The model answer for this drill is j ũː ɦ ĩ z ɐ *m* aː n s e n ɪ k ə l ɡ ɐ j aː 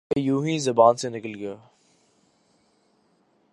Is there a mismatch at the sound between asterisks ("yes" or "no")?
yes